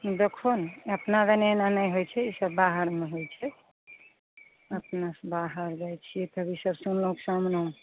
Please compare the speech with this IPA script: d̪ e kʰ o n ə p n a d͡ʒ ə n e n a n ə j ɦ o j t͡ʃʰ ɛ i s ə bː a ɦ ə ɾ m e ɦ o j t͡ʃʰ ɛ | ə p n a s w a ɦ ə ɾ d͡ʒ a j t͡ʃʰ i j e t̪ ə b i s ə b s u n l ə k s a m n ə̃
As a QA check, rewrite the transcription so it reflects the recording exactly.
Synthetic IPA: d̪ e kʰ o n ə p n a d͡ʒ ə n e n a n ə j ɦ o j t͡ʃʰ ɛ i s ə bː a ɦ ə ɾ m e ɦ o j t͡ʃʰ ɛ | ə p n a s b a ɦ ə ɾ d͡ʒ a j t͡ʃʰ i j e t̪ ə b i s ə b s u n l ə k s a m n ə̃